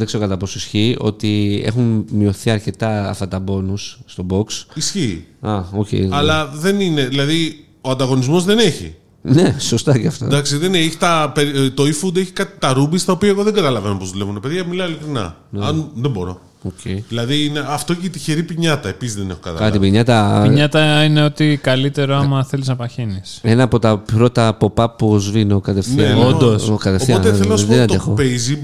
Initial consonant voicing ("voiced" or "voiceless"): voiced